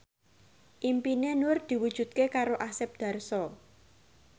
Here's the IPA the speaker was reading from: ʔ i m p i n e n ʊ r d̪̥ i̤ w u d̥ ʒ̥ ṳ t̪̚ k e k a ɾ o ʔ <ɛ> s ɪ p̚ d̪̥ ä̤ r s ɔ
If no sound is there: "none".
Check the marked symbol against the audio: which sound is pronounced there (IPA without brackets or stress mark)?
a